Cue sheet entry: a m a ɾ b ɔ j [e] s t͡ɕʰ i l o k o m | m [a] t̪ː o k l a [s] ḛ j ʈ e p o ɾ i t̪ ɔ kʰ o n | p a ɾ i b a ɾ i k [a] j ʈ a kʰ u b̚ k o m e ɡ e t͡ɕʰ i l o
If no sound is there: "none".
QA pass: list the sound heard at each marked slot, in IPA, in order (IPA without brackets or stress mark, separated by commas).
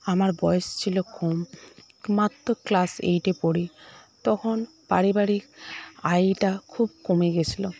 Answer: e, a, s, a